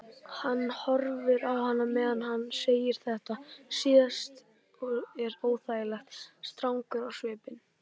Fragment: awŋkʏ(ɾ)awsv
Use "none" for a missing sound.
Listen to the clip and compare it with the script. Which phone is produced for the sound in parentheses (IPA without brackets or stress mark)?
ɾ